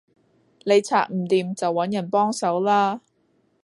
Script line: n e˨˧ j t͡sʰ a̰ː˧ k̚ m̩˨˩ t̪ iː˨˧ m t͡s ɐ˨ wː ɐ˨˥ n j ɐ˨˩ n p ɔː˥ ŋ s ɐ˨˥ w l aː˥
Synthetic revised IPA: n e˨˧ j t͡sʰ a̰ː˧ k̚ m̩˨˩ t̪ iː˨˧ m t͡s ɐ˨ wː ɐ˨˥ n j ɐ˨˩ n p ɔː˥ ŋ s ɐ˨˥ w l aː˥